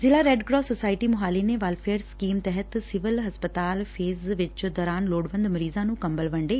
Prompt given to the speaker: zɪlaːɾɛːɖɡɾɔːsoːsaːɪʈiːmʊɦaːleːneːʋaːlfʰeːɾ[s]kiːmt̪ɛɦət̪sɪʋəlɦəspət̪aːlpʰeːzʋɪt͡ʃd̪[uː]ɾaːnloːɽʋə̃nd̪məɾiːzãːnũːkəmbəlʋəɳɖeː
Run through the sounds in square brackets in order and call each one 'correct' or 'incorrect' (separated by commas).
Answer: correct, incorrect